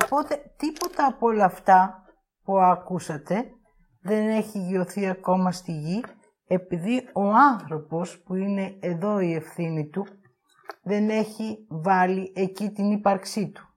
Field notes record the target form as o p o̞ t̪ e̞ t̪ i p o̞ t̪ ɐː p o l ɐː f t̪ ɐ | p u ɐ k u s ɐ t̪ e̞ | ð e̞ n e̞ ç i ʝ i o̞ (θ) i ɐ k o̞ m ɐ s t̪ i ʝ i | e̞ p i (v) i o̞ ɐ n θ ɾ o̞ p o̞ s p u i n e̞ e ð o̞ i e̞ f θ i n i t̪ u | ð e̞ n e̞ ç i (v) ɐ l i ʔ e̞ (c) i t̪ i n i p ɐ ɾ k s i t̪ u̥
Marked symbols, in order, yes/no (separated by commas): yes, no, yes, yes